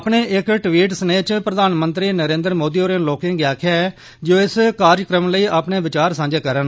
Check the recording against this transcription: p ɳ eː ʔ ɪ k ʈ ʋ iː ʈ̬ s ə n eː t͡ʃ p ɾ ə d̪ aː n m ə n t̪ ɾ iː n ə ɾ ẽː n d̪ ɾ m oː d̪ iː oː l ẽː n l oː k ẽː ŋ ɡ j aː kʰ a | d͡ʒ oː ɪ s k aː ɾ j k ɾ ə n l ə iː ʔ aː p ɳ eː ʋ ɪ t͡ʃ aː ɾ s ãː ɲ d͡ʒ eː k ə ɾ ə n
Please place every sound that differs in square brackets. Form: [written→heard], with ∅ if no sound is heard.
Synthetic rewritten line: p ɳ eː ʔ ɪ k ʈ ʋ iː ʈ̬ s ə n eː t͡ʃ p ɾ ə d̪ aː n m ə n t̪ ɾ iː n ə ɾ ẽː n d̪ ɾ m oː d̪ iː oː [l→ɾ] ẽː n l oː k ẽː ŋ ɡ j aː kʰ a | d͡ʒ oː ɪ s k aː ɾ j k ɾ ə [n→m] l ə iː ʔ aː p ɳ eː ʋ ɪ t͡ʃ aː ɾ s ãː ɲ d͡ʒ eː k ə ɾ ə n